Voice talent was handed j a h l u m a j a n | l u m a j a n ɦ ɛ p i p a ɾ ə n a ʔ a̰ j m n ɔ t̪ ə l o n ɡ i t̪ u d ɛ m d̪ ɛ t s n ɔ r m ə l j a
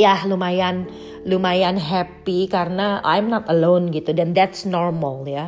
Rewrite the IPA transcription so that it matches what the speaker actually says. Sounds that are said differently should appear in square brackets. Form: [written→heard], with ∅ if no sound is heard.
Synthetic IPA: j a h l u m a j a n | l u m a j a n ɦ ɛ p i [p→k] a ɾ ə n a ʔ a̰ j m n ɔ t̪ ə l o n ɡ i t̪ u d ɛ [m→n] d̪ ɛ t s n ɔ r m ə l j a